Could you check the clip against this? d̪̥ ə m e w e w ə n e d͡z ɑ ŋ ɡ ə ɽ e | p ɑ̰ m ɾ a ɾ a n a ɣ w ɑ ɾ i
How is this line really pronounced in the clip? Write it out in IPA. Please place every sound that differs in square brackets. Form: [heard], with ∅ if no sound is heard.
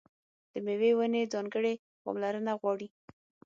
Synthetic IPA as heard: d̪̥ ə m e w e w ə n e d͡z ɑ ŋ ɡ ə ɽ e | p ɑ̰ m [l] a ɾ [ə] n a ɣ w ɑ [ɽ] i